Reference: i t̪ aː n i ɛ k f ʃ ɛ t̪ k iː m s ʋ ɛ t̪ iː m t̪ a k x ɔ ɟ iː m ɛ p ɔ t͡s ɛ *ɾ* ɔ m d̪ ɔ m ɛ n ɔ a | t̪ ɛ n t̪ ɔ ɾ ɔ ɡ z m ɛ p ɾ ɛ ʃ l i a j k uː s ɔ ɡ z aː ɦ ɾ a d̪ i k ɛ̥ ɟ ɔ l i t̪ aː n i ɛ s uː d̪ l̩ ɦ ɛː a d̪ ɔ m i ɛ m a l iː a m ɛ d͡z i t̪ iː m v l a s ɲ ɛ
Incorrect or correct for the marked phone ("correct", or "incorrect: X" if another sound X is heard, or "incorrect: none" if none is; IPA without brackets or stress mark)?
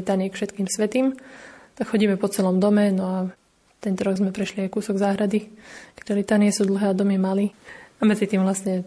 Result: incorrect: l